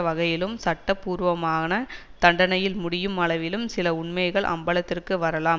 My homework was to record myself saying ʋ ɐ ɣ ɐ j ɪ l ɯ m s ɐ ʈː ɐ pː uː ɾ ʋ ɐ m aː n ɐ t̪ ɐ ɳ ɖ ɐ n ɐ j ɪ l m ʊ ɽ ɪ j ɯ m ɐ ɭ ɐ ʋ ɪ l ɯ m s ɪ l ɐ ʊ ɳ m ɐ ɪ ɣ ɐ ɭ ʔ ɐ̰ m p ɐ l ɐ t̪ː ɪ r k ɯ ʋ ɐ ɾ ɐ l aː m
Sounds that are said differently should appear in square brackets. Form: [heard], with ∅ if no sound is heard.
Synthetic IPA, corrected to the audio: ʋ ɐ ɣ ɐ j ɪ l ɯ m s ɐ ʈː ɐ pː uː ɾ ʋ ɐ m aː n ɐ t̪ ɐ ɳ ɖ ɐ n ɐ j ɪ l m ʊ ɽ ɪ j ɯ m ɐ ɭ ɐ ʋ ɪ l ɯ m s ɪ l ɐ ʊ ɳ m ɐ ɪ ɣ ɐ ɭ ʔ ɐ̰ m [b] ɐ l ɐ t̪ː ɪ r k ɯ ʋ ɐ ɾ ɐ l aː m